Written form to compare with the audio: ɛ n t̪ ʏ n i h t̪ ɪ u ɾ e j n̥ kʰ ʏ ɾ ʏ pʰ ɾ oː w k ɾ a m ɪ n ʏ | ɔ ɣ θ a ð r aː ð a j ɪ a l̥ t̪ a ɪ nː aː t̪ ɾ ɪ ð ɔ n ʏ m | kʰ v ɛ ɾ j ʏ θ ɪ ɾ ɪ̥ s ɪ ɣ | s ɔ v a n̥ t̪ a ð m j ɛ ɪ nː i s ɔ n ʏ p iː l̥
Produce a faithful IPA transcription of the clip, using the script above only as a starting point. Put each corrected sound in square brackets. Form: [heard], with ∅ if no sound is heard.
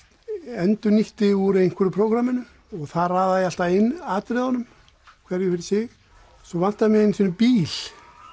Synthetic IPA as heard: ɛ n t̪ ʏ n i h t̪ ɪ u ɾ e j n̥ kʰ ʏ ɾ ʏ pʰ ɾ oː w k ɾ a m ɪ n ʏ | ɔ ɣ θ a ð r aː ð a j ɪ a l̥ t̪ a ɪ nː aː t̪ ɾ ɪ ð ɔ n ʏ m | kʰ v ɛ ɾ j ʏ [f] ɪ ɾ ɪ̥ s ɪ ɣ | s ɔ v a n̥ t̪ a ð m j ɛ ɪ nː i s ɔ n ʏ p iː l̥